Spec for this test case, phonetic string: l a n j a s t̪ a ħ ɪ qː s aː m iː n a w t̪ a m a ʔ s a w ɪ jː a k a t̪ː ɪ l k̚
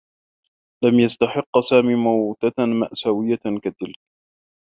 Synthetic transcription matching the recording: l a m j a s t̪ a ħ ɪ qː s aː m iː m a w t̪ a m a ʔ s a w ɪ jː a k a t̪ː ɪ l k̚